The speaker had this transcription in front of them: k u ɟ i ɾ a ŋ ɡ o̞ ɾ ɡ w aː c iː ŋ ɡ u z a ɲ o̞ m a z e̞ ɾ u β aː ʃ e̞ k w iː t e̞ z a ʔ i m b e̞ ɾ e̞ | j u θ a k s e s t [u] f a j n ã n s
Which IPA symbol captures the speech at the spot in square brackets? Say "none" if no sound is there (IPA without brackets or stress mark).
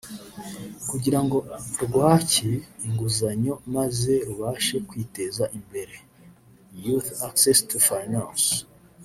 u